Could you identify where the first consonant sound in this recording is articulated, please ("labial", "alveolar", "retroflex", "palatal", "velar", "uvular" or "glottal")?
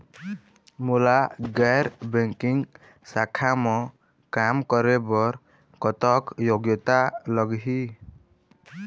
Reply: labial